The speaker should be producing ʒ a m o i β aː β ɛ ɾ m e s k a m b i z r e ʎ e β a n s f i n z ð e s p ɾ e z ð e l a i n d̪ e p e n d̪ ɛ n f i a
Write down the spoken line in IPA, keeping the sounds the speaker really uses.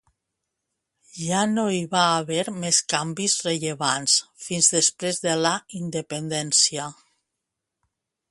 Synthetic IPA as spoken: ʒ a n o i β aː β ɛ ɾ m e s k a m b i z r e ʎ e β a n s f i n z ð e s p ɾ e z ð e l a i n d̪ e p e n d̪ ɛ n s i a